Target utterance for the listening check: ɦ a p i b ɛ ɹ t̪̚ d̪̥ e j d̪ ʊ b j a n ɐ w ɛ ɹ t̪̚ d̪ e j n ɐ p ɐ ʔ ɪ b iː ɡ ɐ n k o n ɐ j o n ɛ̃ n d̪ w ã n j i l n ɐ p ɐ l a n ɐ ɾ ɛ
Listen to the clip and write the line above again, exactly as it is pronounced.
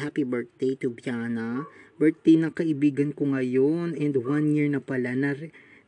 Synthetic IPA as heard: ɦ a p i b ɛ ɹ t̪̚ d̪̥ e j t̪ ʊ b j a n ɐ b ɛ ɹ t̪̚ d̪ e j n ɐ k ɐ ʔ ɪ b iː ɡ ɐ n k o ŋ ɐ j o n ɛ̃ n d̪ w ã n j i ɹ n ɐ p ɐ l a n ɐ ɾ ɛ